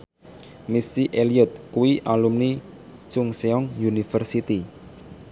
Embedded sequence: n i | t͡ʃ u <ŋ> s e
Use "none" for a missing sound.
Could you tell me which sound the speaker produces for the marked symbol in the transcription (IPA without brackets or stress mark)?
ŋ